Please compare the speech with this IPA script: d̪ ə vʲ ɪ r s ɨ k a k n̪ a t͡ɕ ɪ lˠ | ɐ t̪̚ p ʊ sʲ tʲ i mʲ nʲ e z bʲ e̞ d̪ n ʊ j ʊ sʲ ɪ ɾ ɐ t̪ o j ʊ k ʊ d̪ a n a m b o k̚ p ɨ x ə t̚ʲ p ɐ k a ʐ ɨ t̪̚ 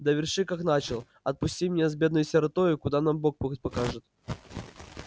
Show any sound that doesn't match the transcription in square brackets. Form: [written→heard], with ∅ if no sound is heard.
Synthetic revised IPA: d̪ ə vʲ ɪ r [s→ʂ] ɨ k a k n̪ a t͡ɕ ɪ lˠ | ɐ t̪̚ p ʊ sʲ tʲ i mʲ nʲ e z bʲ e̞ d̪ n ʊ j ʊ sʲ ɪ ɾ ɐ t̪ o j ʊ k ʊ d̪ a n a m b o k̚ p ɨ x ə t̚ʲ p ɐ k a ʐ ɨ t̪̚